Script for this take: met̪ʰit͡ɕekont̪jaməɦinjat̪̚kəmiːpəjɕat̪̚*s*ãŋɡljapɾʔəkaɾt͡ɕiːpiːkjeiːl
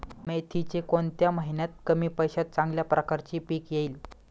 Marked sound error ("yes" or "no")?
yes